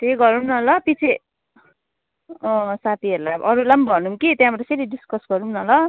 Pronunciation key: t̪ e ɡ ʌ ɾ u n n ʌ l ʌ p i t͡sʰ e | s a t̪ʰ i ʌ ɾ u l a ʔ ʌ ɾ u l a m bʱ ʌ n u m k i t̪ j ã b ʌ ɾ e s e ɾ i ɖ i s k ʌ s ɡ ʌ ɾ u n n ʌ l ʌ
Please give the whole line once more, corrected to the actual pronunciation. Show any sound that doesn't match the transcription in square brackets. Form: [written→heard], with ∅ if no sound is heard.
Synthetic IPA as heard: t̪ e ɡ ʌ ɾ u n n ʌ l ʌ p i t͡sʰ e | s a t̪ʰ i ʌ ɾ u l a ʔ ʌ ɾ u l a m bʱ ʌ n u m k i t̪ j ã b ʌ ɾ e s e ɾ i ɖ i s k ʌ s ɡ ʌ ɾ u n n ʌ l ʌ